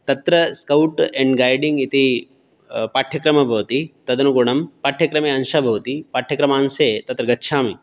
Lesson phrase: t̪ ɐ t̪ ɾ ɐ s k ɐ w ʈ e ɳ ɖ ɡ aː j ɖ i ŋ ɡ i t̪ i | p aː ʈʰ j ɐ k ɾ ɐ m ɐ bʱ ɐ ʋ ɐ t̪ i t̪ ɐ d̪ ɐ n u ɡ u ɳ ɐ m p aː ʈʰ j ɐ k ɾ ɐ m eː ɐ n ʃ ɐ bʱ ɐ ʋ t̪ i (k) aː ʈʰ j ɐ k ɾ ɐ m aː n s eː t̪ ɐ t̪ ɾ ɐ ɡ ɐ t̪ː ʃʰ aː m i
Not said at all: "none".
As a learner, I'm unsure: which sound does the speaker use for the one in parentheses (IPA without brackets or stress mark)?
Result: p